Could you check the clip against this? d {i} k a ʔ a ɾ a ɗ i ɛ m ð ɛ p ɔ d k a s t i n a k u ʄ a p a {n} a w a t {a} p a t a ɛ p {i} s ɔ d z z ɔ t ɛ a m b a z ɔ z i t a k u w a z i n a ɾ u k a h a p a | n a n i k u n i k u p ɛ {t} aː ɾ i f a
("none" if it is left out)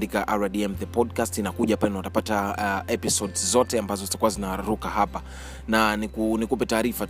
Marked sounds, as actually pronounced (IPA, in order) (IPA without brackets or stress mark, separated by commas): i, n, a, i, t